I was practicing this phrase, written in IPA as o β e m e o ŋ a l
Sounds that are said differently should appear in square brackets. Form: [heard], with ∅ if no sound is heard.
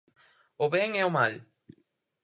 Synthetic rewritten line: o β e [ŋ] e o [m] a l